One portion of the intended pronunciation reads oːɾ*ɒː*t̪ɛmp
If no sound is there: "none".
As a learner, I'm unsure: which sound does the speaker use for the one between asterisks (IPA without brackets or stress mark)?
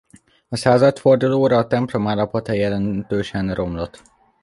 ɒː